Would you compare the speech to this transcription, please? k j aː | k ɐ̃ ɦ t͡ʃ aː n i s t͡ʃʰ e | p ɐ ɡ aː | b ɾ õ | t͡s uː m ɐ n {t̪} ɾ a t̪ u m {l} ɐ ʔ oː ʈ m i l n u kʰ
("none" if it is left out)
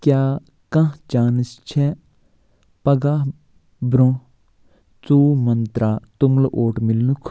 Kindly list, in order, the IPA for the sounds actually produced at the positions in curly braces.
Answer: t̪, l

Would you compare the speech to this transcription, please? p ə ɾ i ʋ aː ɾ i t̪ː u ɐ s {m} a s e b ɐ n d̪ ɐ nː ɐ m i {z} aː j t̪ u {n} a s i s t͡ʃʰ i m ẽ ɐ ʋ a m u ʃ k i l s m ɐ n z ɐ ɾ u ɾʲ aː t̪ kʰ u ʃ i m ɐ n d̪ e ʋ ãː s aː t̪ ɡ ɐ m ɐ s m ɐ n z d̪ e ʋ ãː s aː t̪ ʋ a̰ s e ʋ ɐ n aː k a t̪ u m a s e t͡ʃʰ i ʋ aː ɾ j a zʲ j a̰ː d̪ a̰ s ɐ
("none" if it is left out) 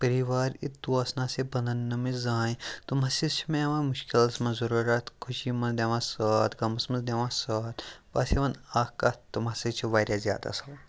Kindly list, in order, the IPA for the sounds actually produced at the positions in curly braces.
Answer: n, z, m

